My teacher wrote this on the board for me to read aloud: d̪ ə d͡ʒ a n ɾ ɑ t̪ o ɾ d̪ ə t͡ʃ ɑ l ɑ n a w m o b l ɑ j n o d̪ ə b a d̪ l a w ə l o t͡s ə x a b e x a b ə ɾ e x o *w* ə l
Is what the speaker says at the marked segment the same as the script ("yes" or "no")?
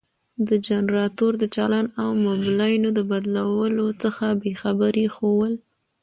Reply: yes